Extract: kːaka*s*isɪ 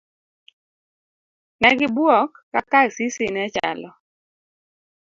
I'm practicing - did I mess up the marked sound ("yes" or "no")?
no